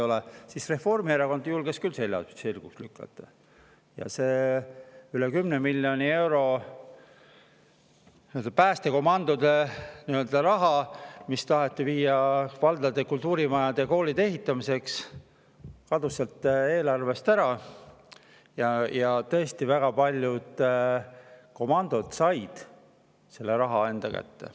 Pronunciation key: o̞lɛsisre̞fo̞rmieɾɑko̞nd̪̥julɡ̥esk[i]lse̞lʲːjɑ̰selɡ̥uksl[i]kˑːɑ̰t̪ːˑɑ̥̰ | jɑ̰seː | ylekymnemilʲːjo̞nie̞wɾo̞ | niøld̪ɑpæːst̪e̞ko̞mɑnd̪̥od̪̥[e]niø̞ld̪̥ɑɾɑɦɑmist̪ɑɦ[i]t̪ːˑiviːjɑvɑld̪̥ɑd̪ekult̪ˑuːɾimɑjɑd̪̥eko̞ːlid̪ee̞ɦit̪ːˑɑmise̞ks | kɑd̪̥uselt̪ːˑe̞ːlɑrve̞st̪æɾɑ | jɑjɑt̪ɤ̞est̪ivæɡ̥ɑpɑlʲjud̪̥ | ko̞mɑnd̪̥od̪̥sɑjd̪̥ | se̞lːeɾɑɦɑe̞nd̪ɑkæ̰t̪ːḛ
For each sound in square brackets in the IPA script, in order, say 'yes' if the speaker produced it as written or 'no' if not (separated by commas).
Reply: no, no, yes, no